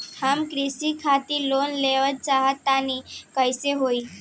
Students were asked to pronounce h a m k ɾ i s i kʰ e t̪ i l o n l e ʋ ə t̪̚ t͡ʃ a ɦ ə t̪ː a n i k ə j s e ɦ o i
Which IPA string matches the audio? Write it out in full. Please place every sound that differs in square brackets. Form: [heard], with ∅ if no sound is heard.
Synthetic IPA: h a m k ɾ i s i kʰ [a] t̪ i l o n l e ʋ ə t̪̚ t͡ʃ a ɦ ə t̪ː a n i k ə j s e ɦ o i